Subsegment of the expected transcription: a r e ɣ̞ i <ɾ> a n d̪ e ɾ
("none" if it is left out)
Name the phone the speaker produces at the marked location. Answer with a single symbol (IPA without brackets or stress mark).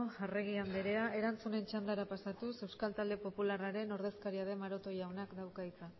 none